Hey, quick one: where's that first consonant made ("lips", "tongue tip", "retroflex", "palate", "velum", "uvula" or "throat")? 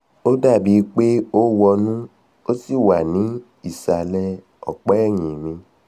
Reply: tongue tip